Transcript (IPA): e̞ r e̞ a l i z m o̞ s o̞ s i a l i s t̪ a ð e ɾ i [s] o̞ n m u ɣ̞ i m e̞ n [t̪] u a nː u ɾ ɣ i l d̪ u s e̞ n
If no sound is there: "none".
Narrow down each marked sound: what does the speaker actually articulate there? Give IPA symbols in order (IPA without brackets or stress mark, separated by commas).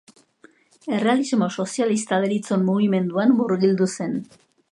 t͡s, d̪